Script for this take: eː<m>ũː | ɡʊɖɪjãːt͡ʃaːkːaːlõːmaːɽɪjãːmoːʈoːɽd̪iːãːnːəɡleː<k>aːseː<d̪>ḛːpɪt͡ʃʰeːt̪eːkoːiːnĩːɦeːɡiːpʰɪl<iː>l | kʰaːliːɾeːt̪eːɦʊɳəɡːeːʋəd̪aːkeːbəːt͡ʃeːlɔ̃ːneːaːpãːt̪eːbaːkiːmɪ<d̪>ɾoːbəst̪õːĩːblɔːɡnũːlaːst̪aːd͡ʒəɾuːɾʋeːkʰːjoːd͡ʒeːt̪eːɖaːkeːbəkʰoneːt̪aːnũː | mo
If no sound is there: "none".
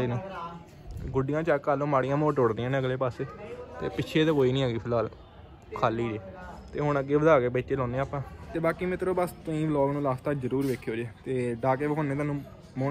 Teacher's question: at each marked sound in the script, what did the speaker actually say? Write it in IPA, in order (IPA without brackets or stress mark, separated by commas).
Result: n, p, t̪, aː, t̪